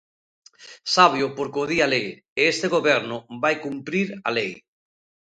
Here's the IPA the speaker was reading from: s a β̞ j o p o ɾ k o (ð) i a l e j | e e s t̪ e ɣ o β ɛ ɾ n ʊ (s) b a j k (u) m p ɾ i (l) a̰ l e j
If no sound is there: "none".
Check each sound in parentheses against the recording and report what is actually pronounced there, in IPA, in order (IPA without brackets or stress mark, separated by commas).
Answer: ð, none, u, ɾ